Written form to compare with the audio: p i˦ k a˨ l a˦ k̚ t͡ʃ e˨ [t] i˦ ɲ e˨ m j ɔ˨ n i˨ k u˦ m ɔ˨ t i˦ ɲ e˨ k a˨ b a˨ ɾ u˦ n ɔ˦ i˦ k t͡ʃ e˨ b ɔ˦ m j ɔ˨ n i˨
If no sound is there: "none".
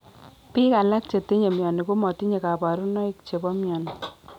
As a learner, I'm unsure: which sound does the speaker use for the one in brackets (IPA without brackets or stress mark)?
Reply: t